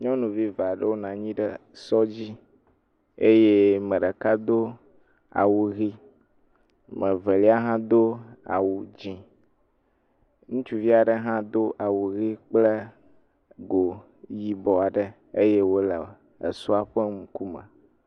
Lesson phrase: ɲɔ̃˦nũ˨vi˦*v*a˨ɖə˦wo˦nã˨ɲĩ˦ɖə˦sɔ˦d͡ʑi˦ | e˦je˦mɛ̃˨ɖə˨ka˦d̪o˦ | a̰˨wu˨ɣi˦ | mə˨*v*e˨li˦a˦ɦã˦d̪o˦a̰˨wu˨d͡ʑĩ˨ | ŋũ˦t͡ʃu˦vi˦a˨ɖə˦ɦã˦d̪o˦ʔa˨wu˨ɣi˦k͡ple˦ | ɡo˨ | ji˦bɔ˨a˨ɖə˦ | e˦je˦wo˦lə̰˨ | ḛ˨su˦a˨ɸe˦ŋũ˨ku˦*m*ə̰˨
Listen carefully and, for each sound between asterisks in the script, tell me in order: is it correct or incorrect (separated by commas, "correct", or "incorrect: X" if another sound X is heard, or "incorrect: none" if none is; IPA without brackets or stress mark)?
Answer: correct, correct, correct